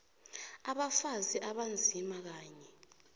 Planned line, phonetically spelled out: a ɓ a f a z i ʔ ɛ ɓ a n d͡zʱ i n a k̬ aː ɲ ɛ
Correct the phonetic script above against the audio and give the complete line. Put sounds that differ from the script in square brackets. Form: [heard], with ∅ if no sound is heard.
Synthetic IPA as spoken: a ɓ a f a z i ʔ [a] ɓ a n d͡zʱ i [m] a k̬ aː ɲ ɛ